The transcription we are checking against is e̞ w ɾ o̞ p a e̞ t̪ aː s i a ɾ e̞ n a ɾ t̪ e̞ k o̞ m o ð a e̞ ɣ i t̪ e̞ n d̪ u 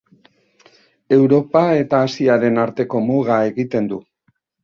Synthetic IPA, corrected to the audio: e̞ w ɾ o̞ p a e̞ t̪ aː s i a ɾ e̞ n a ɾ t̪ e̞ k o̞ m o ɣ a e̞ ɣ i t̪ e̞ n d̪ u